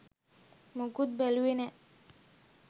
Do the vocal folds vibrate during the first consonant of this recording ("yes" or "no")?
yes